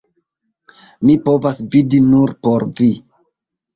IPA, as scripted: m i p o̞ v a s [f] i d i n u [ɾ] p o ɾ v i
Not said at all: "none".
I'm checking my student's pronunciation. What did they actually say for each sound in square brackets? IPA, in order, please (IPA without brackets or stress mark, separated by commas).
v, ɾ